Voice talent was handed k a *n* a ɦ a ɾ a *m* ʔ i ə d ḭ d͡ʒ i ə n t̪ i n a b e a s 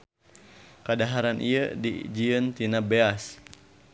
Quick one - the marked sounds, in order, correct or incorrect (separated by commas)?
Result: incorrect, incorrect